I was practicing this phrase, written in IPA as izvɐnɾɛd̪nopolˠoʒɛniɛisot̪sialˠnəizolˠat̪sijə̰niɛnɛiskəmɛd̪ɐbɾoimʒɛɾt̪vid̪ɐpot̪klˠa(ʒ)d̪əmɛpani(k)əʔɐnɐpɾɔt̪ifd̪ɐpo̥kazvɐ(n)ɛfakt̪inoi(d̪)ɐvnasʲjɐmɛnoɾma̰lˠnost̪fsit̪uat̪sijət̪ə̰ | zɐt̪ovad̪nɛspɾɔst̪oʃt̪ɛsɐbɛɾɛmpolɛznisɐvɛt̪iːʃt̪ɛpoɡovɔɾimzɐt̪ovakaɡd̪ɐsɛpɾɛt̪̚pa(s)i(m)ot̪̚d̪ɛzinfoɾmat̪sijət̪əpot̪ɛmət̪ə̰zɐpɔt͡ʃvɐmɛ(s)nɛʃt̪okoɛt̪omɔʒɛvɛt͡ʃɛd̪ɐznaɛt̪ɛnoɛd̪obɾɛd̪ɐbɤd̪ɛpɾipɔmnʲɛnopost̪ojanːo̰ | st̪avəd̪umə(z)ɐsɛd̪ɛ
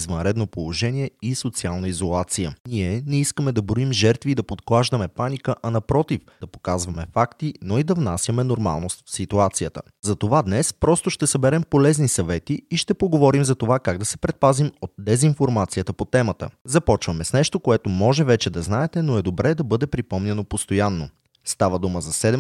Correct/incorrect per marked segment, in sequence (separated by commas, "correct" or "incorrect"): correct, correct, incorrect, correct, incorrect, correct, correct, correct